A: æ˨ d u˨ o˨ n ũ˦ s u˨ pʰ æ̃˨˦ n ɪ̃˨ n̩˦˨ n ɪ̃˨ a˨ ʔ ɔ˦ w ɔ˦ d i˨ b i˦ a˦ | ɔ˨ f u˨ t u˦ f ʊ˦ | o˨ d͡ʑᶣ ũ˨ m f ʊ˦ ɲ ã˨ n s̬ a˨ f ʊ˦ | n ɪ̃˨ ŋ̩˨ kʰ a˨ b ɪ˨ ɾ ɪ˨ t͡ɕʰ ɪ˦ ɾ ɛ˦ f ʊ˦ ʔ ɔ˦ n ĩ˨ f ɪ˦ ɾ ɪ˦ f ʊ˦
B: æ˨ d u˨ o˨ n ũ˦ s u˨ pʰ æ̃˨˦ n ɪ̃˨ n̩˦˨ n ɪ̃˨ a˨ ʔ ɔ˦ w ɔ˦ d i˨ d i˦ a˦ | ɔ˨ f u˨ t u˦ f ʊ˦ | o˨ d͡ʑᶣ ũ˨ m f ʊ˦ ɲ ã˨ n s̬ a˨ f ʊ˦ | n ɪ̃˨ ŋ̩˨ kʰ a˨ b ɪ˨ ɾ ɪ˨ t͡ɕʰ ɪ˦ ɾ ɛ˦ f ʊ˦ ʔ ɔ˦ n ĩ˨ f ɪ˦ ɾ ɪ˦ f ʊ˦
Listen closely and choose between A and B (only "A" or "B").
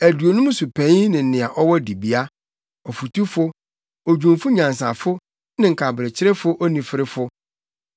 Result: A